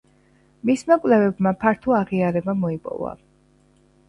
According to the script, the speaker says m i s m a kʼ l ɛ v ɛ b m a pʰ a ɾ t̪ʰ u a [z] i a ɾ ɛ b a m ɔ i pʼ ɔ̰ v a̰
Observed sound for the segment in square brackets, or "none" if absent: ʁ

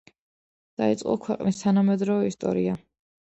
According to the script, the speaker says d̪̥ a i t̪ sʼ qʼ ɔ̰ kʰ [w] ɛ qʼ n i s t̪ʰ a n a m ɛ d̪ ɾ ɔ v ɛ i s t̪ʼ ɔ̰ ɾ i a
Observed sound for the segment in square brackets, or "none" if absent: w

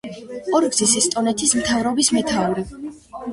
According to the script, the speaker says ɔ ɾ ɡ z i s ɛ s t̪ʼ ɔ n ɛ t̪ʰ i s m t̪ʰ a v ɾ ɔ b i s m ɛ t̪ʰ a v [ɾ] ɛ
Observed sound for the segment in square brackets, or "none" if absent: ɾ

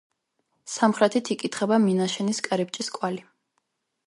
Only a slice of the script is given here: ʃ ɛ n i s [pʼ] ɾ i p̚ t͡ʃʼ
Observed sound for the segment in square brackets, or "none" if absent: kʼ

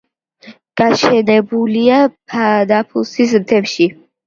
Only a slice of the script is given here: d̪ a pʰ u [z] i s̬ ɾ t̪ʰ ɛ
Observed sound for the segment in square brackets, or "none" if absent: s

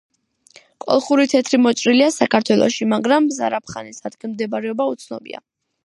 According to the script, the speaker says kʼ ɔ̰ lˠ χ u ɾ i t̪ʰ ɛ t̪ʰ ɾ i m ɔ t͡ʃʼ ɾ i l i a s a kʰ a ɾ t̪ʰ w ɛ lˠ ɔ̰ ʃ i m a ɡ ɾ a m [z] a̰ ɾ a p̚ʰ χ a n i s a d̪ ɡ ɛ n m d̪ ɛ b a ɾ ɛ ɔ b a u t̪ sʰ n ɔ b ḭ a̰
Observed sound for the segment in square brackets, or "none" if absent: z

